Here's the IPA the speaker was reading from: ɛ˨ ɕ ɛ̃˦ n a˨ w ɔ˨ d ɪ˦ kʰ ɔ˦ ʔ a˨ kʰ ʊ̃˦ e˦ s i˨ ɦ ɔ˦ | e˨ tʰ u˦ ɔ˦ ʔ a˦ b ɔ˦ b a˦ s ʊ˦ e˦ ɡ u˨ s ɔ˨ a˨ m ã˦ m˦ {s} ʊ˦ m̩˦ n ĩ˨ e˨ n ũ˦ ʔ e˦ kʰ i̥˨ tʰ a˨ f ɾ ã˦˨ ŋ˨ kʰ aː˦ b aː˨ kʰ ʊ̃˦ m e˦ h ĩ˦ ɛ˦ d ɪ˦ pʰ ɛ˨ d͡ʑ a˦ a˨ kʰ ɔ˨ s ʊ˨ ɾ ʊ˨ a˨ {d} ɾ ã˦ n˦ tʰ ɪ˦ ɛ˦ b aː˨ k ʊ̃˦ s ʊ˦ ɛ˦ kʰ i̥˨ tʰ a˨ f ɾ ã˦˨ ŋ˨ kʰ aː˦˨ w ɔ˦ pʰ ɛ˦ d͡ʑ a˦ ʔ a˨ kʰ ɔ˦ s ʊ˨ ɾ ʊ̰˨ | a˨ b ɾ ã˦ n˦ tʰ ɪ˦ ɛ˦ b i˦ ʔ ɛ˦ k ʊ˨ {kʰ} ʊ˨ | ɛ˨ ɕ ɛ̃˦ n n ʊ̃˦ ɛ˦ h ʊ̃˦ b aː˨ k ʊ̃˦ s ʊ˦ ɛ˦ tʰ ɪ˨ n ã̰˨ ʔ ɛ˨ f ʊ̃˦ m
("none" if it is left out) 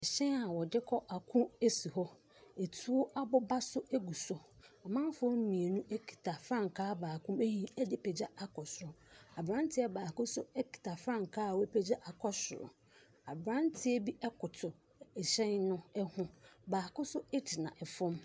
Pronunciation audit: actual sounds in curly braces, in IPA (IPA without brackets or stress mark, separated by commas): f, b, tʰ